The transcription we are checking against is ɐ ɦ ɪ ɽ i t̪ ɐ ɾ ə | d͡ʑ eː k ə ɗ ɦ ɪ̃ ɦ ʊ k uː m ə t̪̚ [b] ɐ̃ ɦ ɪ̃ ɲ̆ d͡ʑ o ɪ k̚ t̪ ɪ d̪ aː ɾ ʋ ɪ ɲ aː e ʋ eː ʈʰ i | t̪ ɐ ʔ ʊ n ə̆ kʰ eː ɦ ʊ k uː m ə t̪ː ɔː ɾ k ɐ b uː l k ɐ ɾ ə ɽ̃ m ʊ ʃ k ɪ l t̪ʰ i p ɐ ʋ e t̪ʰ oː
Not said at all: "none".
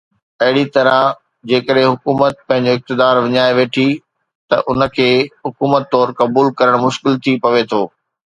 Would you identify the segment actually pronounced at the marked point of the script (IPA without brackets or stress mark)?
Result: p